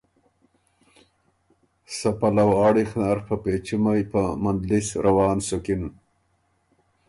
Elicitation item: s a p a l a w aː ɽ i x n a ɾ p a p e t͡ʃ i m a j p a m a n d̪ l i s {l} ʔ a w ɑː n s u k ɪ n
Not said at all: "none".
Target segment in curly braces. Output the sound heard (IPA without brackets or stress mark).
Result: ɾ